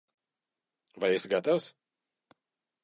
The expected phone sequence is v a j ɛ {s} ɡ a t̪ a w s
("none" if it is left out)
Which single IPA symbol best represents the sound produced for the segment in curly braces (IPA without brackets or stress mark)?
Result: s